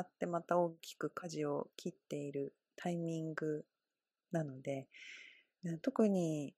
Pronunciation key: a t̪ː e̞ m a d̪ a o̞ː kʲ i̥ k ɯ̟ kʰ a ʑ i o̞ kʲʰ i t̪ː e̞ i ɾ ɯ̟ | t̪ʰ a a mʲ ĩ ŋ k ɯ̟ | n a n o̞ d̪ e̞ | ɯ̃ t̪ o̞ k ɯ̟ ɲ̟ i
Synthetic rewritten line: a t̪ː e̞ m a t̪ a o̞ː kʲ i̥ k ɯ̟ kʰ a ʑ i o̞ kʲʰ i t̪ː e̞ i ɾ ɯ̟ | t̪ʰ a i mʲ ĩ ŋ ɡ ɯ̟ | n a n o̞ d̪ e̞ | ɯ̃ t̪ o̞ k ɯ̟ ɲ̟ i